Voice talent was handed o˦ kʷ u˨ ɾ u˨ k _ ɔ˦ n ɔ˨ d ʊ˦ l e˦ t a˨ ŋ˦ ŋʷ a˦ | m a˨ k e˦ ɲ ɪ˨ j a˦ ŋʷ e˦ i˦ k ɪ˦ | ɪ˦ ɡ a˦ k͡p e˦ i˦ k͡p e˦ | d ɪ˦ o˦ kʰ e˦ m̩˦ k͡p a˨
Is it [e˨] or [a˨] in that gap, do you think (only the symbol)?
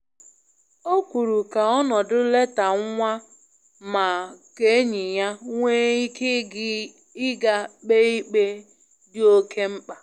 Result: a˨